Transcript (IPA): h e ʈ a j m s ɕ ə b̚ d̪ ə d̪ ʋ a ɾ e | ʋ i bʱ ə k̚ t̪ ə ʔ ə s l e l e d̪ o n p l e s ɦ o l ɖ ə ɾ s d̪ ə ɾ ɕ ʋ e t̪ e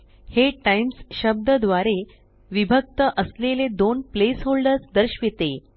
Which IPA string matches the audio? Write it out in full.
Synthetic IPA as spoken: h e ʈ a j m s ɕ ə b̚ d̪ ə d̪ ʋ a ɾ e | ʋ i bʱ ə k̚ t̪ ə ʔ ə s l e l e d̪ o n p l e s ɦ o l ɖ ə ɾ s d̪ ə ɾ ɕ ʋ e t̪ e